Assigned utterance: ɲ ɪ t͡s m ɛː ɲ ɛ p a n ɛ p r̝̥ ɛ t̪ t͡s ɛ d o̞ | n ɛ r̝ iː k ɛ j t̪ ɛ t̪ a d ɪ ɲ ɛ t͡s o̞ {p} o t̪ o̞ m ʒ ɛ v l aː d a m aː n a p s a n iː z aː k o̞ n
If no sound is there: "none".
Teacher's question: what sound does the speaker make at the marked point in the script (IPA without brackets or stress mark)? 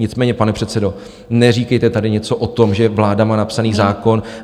ʔ